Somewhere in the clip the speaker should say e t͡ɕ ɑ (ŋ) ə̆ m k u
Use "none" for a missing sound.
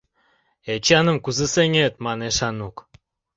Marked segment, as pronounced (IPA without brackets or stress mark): n